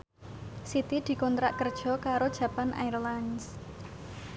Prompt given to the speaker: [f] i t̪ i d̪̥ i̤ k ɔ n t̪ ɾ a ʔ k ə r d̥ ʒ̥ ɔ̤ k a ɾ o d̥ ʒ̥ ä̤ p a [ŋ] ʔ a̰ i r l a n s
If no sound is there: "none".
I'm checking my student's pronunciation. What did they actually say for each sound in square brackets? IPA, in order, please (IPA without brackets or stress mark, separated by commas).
s, n